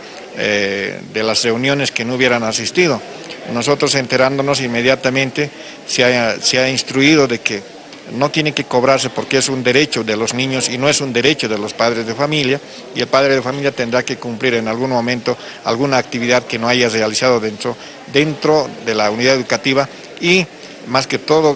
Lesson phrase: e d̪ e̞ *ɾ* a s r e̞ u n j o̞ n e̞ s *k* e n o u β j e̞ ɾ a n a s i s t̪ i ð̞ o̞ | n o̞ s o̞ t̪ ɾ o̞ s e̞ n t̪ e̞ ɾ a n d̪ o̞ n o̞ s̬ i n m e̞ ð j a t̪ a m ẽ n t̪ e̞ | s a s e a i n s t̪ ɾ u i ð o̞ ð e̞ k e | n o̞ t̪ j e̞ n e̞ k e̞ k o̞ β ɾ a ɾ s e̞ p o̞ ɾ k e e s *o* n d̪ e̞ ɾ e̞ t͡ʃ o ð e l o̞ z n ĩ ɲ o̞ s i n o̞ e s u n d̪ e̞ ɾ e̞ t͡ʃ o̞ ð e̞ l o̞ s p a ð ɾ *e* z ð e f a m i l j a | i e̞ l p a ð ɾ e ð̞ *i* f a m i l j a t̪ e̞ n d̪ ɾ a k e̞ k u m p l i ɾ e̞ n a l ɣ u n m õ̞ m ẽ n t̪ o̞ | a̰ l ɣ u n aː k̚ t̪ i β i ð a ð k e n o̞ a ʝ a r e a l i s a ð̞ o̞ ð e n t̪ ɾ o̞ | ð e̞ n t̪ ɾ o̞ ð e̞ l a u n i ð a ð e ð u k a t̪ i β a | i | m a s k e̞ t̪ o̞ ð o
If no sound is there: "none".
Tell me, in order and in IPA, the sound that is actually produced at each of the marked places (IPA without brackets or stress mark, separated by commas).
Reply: l, k, u, e, e